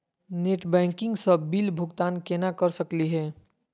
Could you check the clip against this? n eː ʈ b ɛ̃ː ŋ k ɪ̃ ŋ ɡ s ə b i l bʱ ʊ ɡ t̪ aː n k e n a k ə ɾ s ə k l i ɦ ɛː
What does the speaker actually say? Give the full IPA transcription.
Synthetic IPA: n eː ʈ b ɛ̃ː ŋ k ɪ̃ ŋ ɡ s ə b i l bʱ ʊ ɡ t̪ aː n k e n a k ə ɾ s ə k l i ɦ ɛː